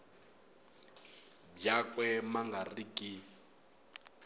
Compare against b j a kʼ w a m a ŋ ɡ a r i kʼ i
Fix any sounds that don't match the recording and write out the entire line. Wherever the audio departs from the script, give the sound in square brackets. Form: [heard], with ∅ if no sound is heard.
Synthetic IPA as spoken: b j a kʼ w [ɛ] m a ŋ ɡ a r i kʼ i